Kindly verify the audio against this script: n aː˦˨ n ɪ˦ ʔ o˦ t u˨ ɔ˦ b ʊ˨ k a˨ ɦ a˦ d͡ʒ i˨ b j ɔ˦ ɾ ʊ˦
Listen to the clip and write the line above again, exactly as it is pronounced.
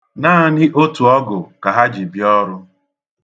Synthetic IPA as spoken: n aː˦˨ n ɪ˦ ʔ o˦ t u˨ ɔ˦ ɡ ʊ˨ k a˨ ɦ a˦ d͡ʒ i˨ b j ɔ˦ ɾ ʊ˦